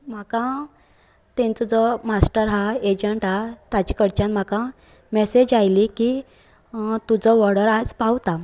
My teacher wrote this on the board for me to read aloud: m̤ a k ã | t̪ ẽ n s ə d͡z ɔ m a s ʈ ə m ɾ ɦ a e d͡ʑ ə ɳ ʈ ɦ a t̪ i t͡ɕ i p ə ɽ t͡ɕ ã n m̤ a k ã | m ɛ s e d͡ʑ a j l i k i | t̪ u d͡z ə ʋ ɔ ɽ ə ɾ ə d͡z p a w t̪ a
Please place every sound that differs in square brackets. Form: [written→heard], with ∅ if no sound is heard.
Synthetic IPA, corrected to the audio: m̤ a k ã | t̪ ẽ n [s→t͡s] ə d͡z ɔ m a s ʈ ə [m→∅] ɾ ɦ a e d͡ʑ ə ɳ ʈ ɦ a t̪ [i→a] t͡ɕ i [p→k] ə ɽ t͡ɕ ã n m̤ a k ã | m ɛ s e d͡ʑ a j l i k i | t̪ u d͡z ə ʋ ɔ ɽ ə ɾ [ə→a] d͡z p a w t̪ a

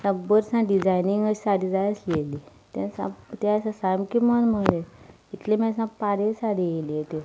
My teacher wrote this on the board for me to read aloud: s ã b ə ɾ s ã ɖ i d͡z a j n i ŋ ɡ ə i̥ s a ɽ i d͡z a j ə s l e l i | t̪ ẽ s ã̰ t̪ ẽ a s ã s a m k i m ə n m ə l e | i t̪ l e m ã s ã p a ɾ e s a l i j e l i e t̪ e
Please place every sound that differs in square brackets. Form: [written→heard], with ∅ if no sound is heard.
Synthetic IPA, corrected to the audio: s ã b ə ɾ s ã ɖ i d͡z a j n i ŋ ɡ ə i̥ s a ɽ i d͡z a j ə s l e l i | t̪ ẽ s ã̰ t̪ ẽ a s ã s a m k i m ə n m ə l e | i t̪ l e m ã s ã p a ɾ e s a [l→ɽ] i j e l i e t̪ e

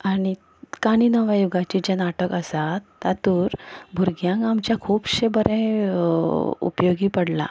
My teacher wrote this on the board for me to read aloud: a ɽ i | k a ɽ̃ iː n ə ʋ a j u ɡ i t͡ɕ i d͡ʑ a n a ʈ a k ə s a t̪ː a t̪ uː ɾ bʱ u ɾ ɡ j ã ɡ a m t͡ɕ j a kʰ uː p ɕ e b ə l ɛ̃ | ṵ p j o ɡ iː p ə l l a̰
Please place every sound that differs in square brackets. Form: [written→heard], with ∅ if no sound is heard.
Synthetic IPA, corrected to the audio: a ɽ i | k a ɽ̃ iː n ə ʋ a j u ɡ [i→a] t͡ɕ i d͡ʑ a n a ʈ [a→ə] k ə s a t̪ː a t̪ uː ɾ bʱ u ɾ ɡ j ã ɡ a m t͡ɕ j a kʰ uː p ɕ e b ə [l→ɾ] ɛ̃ | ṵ p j o ɡ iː p ə [l→ɽ] l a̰

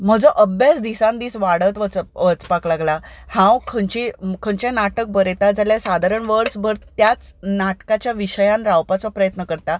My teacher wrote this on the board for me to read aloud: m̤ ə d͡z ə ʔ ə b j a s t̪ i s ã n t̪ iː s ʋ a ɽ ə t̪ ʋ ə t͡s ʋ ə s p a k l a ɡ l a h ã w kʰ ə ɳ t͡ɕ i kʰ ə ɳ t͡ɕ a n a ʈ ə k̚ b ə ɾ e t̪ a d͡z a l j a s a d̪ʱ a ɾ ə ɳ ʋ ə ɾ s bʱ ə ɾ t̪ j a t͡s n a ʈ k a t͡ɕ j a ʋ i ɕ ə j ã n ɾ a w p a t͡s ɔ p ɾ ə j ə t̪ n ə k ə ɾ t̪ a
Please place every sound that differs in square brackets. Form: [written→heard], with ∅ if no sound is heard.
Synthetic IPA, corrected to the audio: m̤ ə d͡z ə ʔ ə b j a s [t̪→d̪] i s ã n [t̪→d̪] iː s ʋ a ɽ ə t̪ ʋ ə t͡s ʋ ə [s→t͡s] p a k l a ɡ l a h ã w kʰ ə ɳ t͡ɕ i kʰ ə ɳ t͡ɕ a n a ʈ ə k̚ b ə ɾ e t̪ a d͡z a l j a s a d̪ʱ a ɾ ə ɳ ʋ ə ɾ s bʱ ə ɾ t̪ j a t͡s n a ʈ k a t͡ɕ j a ʋ i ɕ ə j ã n ɾ a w p a t͡s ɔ p ɾ ə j ə t̪ n ə k ə ɾ t̪ a

